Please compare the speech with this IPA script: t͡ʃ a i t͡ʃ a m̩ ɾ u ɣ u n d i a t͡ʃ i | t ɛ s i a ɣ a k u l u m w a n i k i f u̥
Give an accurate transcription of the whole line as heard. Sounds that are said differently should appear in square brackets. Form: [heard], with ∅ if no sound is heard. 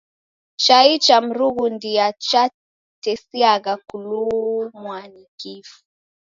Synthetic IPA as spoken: t͡ʃ a i t͡ʃ a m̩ ɾ u ɣ u n d i a t͡ʃ [a] | t ɛ s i a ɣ a k u l u m w a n i k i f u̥